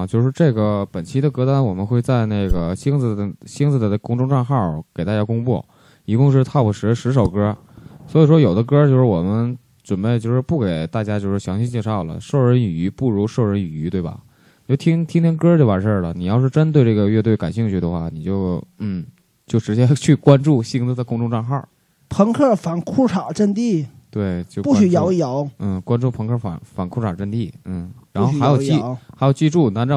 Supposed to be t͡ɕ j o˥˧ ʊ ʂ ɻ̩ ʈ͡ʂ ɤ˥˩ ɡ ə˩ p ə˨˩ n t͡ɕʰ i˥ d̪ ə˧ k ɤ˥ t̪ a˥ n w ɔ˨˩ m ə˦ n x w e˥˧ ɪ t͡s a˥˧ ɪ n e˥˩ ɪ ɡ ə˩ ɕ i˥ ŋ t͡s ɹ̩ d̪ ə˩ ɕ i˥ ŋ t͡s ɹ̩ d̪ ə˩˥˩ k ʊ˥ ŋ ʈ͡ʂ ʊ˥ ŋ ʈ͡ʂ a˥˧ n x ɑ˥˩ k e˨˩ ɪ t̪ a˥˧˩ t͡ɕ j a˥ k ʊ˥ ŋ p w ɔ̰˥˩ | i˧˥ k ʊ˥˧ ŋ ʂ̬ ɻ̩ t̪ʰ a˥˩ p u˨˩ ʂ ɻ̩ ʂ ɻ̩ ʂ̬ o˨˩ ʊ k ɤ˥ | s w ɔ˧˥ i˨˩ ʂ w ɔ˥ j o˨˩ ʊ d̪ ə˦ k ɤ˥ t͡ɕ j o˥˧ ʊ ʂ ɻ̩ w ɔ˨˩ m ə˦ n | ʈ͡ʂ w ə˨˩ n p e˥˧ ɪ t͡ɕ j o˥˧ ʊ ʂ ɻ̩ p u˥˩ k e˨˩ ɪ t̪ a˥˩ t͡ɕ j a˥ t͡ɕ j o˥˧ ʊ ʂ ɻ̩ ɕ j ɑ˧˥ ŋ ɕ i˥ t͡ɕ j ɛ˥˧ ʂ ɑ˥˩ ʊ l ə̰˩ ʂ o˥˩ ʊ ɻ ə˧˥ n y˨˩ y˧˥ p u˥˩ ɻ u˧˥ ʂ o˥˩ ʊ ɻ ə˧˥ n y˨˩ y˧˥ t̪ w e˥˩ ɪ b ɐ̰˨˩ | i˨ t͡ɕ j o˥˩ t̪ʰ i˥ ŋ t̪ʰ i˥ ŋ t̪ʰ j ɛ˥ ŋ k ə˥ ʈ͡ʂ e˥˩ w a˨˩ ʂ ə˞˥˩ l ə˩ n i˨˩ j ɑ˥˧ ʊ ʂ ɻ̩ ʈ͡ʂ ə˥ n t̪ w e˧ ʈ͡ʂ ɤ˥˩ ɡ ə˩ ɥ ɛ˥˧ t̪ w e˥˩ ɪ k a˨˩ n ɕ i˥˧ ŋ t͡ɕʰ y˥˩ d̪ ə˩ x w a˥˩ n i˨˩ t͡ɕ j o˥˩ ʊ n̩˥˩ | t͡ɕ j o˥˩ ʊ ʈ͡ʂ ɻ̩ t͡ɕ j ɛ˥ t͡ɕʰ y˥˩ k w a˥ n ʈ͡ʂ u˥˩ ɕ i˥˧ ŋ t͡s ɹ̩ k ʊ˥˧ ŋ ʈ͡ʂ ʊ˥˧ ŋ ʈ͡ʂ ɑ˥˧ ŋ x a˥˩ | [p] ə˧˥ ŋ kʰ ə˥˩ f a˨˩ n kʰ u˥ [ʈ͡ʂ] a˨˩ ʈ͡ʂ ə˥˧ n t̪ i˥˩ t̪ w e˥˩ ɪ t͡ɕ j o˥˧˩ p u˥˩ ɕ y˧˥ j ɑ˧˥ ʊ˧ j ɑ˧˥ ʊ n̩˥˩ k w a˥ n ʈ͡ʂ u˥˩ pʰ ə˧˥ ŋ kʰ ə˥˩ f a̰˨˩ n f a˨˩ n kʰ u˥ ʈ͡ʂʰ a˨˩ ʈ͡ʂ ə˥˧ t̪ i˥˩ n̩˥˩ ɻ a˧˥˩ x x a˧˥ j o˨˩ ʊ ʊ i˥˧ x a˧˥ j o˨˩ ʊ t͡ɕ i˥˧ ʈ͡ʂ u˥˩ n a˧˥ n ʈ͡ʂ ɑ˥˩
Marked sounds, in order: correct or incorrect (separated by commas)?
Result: incorrect, incorrect